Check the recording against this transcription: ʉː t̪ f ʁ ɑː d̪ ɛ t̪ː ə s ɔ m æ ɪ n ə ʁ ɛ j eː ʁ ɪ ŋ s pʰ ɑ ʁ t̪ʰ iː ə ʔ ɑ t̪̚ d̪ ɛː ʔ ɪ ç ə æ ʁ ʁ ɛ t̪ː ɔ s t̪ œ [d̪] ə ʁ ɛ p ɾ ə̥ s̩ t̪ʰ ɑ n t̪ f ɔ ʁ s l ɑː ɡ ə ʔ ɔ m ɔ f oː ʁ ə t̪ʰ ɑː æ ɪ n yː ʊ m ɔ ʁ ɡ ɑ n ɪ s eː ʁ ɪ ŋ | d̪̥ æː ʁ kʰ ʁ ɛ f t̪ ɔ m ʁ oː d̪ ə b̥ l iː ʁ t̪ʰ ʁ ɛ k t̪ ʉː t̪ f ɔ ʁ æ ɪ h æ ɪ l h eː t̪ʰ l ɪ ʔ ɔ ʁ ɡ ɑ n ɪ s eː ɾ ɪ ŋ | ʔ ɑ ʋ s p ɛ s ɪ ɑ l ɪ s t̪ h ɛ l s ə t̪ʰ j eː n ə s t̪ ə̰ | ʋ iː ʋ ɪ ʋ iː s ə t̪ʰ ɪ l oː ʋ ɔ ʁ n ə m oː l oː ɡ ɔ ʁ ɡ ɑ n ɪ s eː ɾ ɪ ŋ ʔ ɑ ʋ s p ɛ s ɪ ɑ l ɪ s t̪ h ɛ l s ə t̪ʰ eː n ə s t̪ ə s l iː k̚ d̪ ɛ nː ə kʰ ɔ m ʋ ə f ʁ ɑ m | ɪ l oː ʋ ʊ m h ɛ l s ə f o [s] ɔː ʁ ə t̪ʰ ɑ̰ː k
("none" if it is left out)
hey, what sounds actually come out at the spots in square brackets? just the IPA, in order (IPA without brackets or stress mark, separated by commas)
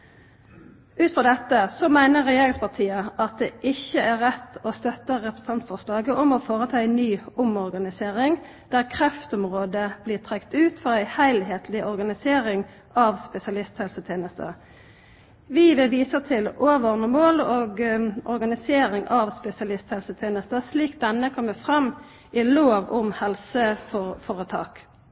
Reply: t̪, f